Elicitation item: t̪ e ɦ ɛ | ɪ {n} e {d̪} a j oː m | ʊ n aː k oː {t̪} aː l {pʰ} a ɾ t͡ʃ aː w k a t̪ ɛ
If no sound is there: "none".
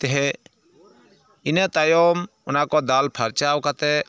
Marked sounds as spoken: n, t̪, d̪, pʰ

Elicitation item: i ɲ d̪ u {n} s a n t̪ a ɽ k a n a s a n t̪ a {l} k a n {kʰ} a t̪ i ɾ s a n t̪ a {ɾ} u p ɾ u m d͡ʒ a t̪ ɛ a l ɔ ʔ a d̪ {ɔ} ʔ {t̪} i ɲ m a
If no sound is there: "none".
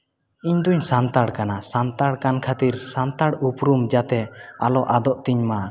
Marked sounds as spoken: ɲ, ɽ, kʰ, ɽ, ɔ, t̪

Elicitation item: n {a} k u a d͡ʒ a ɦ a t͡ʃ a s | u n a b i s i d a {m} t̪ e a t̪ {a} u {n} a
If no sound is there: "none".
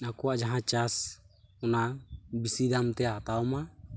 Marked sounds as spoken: a, m, a, m

